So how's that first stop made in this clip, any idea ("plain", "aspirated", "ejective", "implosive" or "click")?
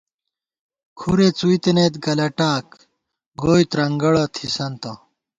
aspirated